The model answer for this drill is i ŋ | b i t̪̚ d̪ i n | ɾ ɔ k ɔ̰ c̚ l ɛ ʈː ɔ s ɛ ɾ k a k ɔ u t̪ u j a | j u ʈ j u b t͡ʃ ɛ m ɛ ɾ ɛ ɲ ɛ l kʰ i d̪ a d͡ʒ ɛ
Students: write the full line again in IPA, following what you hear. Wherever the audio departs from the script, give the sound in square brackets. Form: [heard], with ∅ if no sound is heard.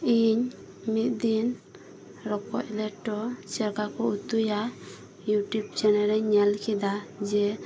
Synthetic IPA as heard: i [ɲ] | [m] i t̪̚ d̪ i n | ɾ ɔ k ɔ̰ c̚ l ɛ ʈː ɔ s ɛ ɾ k a k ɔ u t̪ u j a | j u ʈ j u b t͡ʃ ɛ [n] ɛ ɾ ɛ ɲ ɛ l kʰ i d̪ a d͡ʒ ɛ